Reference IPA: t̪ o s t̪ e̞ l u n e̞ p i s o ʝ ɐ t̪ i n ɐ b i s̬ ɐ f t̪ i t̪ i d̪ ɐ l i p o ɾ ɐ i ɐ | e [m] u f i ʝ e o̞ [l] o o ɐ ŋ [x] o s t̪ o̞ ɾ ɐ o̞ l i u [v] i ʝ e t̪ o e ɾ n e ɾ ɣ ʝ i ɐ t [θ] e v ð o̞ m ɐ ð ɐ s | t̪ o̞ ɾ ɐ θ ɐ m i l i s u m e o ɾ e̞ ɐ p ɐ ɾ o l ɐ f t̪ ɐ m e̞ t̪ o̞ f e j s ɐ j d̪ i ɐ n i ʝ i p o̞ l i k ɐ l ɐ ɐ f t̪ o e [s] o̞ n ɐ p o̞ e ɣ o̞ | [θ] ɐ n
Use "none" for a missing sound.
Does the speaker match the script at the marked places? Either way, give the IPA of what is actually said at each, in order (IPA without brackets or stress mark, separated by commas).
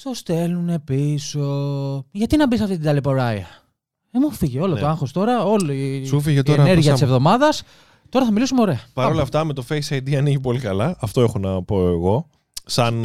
m, l, x, f, s, x, s